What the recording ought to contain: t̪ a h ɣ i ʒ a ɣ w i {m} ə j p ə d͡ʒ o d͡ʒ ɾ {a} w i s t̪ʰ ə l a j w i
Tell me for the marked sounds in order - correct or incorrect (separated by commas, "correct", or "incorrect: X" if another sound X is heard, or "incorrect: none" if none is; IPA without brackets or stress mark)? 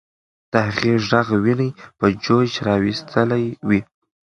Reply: incorrect: n, incorrect: ɑ